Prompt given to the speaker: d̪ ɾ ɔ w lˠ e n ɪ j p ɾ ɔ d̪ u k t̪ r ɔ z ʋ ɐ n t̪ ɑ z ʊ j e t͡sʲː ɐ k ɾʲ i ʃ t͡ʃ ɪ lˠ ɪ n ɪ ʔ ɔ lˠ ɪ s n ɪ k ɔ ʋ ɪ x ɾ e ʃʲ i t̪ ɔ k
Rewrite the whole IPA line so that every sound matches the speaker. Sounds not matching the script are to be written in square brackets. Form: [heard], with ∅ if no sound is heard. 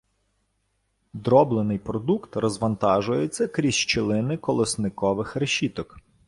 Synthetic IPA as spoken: d̪ ɾ ɔ [b] lˠ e n ɪ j p ɾ ɔ d̪ u k t̪ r ɔ z ʋ ɐ n t̪ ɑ [ʒ] ʊ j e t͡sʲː ɐ k ɾʲ i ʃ t͡ʃ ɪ lˠ ɪ n ɪ [k] ɔ lˠ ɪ s n ɪ k ɔ ʋ ɪ x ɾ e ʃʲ i t̪ ɔ k